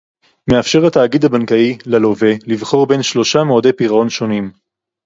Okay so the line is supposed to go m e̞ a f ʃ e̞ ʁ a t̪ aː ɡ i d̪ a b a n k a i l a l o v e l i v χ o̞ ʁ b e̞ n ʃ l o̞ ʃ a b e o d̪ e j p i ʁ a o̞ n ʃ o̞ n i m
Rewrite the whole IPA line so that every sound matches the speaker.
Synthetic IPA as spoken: m e̞ a f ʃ e̞ ʁ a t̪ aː ɡ i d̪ a b a n k a i l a l o v e l i v χ o̞ ʁ b e̞ n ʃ l o̞ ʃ a m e o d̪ e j p i ʁ a o̞ n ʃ o̞ n i m

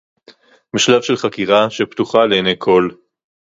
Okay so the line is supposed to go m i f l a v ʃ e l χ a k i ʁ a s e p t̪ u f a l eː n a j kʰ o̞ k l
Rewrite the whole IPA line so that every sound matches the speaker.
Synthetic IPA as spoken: m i ʃ l a v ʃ e l χ a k i ʁ a ʃ e p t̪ u χ a l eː n e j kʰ o̞ l

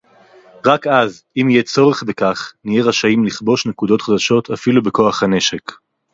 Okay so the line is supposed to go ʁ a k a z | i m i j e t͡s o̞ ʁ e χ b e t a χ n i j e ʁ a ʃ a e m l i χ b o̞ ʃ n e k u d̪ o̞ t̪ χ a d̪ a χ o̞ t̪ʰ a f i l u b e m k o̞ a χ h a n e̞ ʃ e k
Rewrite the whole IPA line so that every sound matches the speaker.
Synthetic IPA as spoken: ʁ a k a z | i m i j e t͡s o̞ ʁ e χ b e k a χ n i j e ʁ a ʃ a i m l i χ b o̞ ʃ n e k u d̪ o̞ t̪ χ a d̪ a ʃ o̞ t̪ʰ a f i l u b e k o̞ a χ h a n e̞ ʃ e k

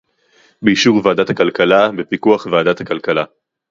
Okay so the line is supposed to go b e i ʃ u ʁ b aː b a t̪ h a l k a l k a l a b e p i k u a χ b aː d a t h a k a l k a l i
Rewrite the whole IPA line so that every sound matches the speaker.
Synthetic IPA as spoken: b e i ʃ u ʁ v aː d a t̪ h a k a l k a l a b e p i k u a χ v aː d a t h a k a l k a l a

